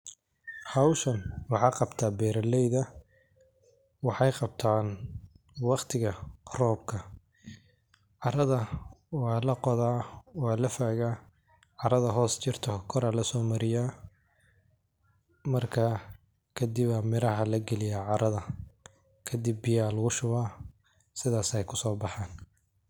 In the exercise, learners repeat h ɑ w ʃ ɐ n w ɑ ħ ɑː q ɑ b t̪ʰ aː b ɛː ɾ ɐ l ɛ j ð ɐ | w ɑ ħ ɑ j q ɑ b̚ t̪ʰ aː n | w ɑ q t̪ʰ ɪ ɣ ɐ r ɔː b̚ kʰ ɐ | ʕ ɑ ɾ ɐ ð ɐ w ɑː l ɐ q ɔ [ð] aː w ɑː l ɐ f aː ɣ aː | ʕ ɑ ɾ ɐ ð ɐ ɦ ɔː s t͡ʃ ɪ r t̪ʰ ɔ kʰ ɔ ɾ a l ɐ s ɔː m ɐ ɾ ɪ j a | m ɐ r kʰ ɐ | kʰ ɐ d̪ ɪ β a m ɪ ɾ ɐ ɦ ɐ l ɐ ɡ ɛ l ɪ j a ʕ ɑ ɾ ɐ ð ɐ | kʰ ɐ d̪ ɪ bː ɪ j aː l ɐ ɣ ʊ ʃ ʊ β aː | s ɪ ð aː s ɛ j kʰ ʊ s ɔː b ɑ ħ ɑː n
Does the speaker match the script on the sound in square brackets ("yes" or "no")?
yes